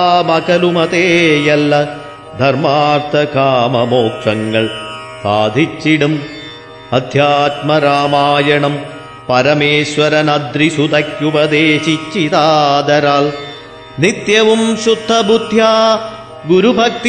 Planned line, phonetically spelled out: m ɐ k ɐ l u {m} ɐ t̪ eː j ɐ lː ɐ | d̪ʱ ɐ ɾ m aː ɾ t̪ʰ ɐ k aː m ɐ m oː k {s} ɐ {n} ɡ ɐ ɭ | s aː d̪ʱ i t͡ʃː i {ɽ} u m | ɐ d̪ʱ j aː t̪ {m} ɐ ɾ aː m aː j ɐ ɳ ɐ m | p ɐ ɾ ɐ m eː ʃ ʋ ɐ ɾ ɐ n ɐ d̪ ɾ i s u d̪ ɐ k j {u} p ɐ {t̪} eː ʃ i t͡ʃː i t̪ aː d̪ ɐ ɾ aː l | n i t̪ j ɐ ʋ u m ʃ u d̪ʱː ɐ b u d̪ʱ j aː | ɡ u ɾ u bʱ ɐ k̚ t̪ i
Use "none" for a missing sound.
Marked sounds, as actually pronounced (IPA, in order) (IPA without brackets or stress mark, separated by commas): m, ʂ, ŋ, ɽ, m, u, d̪